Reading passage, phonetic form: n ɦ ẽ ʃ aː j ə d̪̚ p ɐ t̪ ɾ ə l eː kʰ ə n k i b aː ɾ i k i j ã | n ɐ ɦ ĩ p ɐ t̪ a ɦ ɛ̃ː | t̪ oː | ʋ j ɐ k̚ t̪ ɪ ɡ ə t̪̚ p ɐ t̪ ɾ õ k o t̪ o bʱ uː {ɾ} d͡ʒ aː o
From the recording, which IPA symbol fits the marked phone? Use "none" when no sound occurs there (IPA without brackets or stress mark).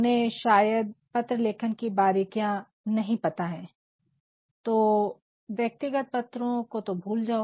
l